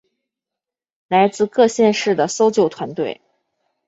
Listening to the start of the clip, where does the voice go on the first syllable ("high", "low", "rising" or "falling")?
rising